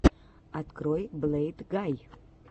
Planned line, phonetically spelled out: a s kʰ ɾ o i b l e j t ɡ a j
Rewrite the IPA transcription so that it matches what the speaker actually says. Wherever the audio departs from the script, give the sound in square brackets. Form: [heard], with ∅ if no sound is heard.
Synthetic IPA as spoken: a [t] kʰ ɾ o [j] b l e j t ɡ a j